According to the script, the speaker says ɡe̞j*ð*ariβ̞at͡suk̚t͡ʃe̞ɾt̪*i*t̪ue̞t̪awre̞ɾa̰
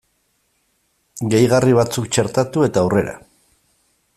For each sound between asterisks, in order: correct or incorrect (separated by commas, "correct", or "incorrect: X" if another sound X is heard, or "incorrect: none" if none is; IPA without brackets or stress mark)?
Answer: incorrect: ɣ, incorrect: a